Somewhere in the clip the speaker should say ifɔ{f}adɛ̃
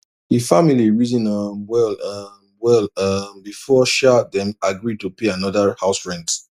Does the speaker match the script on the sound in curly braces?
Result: no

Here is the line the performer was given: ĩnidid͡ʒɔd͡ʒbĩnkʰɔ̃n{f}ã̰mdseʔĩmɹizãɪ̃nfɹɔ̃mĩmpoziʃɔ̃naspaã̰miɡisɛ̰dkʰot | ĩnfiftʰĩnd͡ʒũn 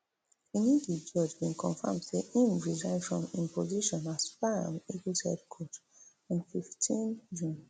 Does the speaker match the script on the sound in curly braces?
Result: yes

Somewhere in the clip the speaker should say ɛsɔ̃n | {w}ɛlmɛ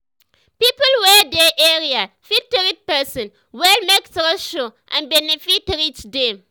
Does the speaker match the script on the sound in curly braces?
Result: yes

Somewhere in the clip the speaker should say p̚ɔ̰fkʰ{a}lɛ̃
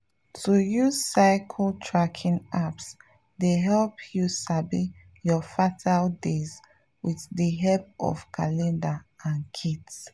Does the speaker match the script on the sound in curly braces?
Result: yes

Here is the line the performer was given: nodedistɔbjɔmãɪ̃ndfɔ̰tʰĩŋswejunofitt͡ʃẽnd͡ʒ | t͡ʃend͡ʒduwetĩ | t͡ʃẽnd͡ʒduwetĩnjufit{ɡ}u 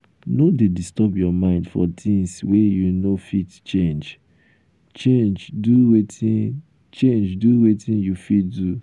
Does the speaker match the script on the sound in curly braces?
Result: no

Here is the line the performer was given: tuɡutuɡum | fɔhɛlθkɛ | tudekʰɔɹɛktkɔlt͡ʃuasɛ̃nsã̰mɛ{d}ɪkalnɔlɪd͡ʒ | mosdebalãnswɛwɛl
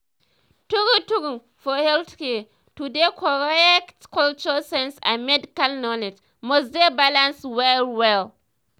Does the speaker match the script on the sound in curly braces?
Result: yes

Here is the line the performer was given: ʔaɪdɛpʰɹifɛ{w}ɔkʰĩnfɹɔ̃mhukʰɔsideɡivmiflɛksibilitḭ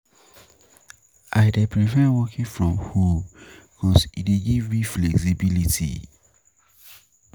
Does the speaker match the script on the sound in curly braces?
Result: yes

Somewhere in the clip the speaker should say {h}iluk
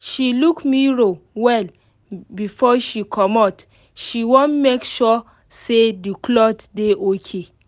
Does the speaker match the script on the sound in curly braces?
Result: no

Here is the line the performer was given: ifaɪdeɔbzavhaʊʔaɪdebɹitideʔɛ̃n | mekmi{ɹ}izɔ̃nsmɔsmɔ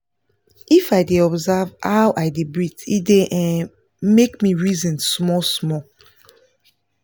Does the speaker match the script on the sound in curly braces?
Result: yes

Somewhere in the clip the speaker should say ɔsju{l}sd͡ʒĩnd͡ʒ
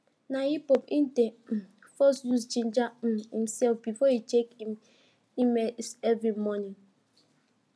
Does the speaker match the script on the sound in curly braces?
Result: no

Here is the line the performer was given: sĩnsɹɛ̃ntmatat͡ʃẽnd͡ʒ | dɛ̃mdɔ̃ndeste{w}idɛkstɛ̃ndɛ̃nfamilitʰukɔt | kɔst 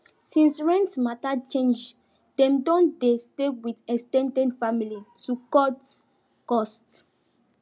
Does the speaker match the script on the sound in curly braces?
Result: yes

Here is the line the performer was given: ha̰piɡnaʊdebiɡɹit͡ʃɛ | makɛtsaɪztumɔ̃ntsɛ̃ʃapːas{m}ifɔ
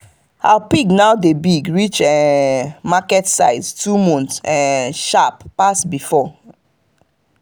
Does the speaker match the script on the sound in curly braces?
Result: no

